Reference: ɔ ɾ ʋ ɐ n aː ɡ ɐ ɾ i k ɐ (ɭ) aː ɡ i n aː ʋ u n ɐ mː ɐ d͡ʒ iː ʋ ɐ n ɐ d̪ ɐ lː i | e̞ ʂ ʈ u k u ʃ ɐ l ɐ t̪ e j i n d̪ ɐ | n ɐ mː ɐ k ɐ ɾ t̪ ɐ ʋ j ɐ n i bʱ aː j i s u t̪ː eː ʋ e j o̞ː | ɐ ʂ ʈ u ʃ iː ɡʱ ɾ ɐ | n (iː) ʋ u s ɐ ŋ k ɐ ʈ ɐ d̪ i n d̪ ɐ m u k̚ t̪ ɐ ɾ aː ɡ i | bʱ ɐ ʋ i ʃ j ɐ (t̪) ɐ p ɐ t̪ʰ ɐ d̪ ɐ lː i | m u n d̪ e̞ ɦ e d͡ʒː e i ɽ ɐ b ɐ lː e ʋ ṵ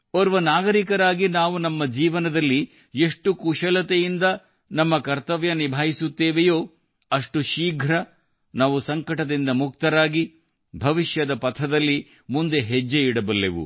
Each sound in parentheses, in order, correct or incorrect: incorrect, incorrect, incorrect

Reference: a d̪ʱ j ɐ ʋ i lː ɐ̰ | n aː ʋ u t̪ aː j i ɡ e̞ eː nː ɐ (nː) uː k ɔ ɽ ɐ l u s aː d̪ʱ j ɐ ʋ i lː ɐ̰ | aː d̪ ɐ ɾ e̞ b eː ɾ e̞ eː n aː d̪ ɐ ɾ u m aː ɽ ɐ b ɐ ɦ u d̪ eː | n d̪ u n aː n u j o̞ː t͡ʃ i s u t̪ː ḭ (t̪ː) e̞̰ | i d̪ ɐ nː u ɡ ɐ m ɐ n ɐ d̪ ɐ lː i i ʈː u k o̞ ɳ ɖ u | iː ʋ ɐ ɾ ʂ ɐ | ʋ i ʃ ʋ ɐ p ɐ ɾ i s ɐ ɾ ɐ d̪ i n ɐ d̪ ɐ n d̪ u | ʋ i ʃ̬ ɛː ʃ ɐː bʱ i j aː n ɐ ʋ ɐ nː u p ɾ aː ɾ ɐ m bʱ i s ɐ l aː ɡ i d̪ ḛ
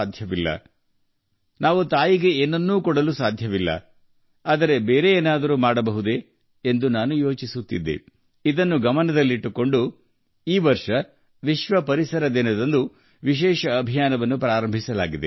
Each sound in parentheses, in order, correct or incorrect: correct, incorrect

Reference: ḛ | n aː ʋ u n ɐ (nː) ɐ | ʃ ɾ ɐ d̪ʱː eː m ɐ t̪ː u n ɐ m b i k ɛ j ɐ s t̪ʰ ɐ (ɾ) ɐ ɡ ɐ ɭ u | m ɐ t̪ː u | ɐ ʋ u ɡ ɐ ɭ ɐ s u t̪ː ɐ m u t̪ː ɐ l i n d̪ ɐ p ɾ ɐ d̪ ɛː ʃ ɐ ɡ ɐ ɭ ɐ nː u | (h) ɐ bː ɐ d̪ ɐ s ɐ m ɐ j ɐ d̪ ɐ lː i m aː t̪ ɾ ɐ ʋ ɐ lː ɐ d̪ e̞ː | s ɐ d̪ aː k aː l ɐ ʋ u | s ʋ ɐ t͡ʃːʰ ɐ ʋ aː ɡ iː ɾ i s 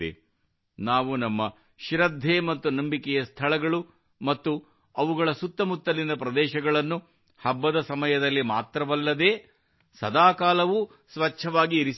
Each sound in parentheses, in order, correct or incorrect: incorrect, incorrect, correct

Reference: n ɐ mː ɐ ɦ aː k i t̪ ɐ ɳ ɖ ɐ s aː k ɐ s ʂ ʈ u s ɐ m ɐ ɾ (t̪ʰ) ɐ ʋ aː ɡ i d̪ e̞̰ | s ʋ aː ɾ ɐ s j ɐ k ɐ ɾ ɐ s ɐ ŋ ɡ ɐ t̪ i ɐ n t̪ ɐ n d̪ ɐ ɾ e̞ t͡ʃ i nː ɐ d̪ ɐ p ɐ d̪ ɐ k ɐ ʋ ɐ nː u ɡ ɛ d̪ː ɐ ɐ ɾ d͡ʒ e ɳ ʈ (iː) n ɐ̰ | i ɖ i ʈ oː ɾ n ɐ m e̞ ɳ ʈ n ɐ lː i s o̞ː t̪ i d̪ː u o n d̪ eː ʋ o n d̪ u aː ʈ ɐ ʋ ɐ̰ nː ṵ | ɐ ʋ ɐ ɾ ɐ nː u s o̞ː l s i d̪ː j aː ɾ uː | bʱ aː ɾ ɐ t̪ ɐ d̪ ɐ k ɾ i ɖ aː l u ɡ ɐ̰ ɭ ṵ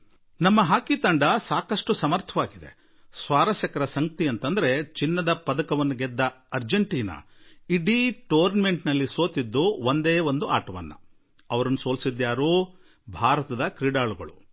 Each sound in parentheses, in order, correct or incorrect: correct, correct

